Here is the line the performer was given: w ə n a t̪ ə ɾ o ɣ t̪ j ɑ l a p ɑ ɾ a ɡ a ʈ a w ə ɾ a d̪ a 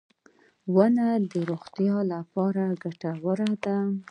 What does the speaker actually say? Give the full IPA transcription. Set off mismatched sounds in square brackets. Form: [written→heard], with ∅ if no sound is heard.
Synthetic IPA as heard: w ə n a [t̪→d̪] ə ɾ o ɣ t̪ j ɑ l a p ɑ ɾ a ɡ a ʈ a w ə ɾ a d̪ a